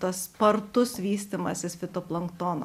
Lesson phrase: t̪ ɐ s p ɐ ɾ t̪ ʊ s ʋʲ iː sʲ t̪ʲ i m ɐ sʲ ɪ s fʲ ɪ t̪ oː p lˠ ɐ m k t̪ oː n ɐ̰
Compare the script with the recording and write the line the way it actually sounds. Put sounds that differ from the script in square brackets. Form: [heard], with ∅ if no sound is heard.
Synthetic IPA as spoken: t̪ ɐ s p ɐ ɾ t̪ ʊ s ʋʲ iː sʲ t̪ʲ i m ɐ sʲ ɪ s fʲ ɪ t̪ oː p lˠ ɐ [ŋ] k t̪ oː n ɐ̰